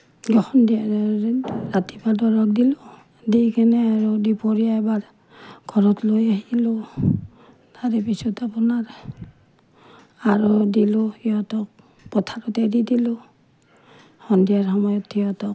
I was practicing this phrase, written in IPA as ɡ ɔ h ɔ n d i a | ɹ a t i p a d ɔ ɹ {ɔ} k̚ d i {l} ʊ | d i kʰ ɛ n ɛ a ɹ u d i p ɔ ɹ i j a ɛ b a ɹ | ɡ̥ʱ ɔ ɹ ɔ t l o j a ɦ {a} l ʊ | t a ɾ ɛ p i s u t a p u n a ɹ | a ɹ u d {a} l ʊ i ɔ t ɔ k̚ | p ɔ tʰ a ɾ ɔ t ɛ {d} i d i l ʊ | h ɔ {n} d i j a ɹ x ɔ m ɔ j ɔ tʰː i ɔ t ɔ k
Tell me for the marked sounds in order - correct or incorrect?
correct, correct, incorrect, incorrect, correct, correct

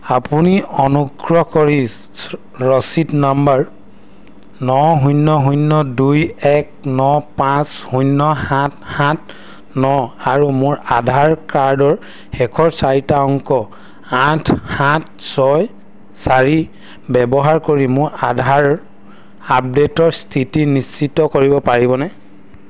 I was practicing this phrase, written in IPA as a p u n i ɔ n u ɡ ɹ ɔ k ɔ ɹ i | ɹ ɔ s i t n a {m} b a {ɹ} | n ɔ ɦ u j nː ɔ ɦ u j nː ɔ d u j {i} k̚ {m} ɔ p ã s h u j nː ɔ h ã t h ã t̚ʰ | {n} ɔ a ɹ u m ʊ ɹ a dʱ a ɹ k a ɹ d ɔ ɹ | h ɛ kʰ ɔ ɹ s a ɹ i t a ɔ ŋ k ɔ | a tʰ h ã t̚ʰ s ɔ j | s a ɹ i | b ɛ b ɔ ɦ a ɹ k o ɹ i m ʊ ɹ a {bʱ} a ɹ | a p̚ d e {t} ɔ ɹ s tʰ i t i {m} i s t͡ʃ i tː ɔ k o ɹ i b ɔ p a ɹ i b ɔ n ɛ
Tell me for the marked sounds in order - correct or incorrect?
correct, correct, incorrect, incorrect, correct, incorrect, correct, incorrect

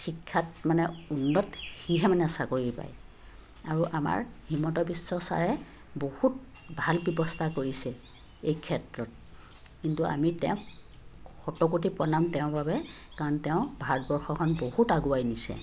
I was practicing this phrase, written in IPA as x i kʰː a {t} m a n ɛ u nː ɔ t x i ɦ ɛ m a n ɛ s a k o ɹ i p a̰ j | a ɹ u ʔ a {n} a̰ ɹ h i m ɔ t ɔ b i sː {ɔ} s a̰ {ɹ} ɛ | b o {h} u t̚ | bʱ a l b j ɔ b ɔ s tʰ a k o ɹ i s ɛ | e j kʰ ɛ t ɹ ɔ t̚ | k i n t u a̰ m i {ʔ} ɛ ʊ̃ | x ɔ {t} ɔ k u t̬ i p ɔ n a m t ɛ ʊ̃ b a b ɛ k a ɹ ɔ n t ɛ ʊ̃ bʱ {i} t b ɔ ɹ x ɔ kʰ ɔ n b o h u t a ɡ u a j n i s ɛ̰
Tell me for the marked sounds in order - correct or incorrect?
correct, incorrect, correct, correct, correct, incorrect, correct, incorrect

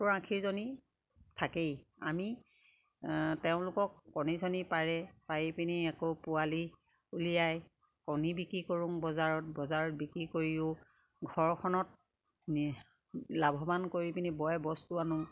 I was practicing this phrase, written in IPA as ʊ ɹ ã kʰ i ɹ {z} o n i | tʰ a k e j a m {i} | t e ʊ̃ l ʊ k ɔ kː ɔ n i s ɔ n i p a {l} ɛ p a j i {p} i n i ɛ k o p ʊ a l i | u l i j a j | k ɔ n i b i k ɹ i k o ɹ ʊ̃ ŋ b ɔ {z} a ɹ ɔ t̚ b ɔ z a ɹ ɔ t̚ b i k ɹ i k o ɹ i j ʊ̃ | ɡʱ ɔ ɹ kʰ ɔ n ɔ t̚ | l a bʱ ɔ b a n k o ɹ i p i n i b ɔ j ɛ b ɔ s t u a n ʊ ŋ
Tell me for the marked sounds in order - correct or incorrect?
correct, correct, incorrect, correct, correct

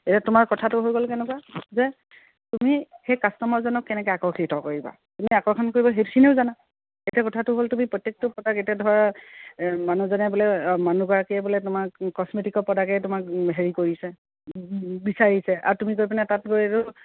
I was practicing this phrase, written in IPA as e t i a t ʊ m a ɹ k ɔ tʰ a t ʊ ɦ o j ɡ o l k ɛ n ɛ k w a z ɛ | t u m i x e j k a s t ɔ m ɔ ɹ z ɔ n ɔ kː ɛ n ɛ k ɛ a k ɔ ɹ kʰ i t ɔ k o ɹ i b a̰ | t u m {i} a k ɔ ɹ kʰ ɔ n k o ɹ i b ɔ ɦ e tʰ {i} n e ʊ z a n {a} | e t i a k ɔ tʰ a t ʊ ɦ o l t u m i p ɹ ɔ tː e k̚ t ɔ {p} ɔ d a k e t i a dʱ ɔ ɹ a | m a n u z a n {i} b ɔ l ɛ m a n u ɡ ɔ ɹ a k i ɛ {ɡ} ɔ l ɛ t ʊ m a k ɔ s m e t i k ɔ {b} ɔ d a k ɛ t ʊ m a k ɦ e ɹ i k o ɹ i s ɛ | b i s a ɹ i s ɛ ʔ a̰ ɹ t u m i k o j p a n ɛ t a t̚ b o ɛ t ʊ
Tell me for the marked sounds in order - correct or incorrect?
correct, correct, correct, correct, incorrect, incorrect, incorrect

